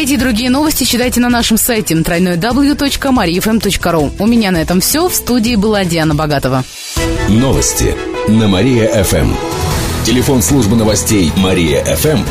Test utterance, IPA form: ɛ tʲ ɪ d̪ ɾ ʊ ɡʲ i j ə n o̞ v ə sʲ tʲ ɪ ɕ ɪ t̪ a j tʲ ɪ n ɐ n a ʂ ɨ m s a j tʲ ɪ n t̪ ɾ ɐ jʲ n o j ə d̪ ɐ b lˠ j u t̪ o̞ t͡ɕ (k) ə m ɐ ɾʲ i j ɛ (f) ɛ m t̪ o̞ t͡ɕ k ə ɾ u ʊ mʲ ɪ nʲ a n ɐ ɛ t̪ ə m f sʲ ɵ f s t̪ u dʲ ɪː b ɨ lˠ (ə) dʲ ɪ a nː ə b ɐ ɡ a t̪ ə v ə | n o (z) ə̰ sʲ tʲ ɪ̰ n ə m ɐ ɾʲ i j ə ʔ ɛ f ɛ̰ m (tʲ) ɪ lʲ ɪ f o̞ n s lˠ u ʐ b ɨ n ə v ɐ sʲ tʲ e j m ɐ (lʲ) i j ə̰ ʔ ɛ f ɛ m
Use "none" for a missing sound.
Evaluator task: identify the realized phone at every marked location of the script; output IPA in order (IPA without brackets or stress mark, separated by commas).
k, f, a, v, tʲ, ɾʲ